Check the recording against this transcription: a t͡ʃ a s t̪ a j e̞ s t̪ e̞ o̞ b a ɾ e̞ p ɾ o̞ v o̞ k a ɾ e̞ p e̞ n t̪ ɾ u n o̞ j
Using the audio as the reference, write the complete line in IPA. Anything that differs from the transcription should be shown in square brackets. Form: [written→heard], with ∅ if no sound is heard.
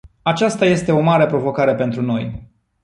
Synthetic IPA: a t͡ʃ a s t̪ a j e̞ s t̪ e̞ o̞ [b→m] a ɾ e̞ p ɾ o̞ v o̞ k a ɾ e̞ p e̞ n t̪ ɾ u n o̞ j